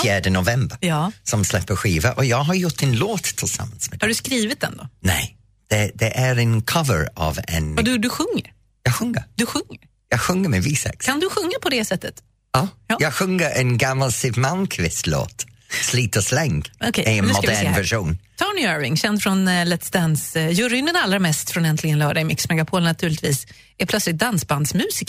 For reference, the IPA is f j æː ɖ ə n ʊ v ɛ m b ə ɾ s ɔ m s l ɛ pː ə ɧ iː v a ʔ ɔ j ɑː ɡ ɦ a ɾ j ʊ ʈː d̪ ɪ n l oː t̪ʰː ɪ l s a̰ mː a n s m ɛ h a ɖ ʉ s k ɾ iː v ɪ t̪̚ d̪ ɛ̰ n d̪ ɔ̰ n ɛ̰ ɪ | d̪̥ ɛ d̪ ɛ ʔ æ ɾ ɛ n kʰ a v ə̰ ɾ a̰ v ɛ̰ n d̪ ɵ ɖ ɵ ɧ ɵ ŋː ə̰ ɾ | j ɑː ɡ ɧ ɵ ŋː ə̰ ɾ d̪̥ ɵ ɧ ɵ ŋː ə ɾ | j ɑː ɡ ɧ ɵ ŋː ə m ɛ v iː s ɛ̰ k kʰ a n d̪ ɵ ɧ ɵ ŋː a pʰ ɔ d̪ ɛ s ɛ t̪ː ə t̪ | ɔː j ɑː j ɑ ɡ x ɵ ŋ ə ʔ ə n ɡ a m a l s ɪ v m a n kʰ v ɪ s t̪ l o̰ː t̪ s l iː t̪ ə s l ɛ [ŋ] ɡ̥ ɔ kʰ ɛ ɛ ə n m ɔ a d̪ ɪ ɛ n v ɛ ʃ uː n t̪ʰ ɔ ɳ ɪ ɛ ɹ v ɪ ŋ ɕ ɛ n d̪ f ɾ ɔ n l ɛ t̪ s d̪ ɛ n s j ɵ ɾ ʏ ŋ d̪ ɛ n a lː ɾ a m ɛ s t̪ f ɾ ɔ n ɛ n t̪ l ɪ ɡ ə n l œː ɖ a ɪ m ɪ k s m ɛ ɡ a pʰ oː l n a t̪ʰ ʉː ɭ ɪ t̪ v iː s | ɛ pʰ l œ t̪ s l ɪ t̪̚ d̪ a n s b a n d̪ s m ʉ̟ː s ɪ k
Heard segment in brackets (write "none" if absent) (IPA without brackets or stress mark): ŋ